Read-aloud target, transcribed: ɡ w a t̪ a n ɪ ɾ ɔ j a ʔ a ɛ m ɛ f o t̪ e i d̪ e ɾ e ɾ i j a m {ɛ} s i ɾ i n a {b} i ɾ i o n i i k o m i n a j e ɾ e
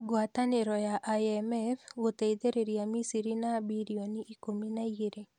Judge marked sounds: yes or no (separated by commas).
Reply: no, yes